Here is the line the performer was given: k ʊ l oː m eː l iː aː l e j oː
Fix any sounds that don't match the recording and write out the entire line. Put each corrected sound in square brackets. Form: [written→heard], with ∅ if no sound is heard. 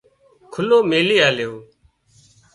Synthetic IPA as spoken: [k→kʰ] ʊ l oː m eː l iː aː l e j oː